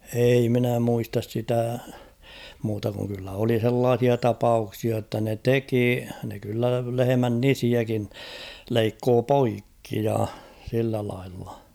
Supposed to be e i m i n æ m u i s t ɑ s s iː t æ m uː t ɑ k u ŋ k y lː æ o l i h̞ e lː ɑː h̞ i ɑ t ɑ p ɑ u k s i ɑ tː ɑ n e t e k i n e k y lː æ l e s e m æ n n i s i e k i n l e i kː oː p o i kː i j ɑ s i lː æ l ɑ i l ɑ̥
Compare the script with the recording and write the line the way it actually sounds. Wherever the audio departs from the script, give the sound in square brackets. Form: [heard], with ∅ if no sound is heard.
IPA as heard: e i m i n æ m u i s t ɑ s s [i] t æ m uː t ɑ k u ŋ k y lː æ o l i h̞ e lː ɑː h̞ i ɑ t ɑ p ɑ u k s i ɑ tː ɑ n e t e k i n e k y lː æ l e [h] e m æ n n i s i [æ] k i n l e i kː oː p o i kː i j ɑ s i lː æ l ɑ i [lː] ɑ̥